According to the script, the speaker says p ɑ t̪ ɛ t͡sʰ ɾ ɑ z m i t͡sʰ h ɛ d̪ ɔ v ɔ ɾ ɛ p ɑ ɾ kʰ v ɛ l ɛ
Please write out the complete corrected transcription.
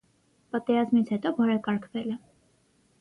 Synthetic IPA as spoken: p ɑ t̪ ɛ ɾ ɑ z m i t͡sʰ h ɛ t̪ ɔ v ɔ ɾ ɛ k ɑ ɾ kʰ v ɛ l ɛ